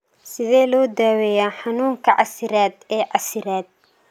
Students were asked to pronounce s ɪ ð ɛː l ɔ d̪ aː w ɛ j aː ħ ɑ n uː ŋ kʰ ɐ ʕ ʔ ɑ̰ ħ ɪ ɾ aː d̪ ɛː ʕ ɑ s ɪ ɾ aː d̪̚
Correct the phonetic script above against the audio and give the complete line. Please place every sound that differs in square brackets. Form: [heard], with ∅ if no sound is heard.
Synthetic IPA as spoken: s ɪ ð ɛː l [ɔː] d̪ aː w ɛ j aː ħ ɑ n uː ŋ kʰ ɐ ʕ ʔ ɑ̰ [s] ɪ ɾ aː d̪ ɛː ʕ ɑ s ɪ ɾ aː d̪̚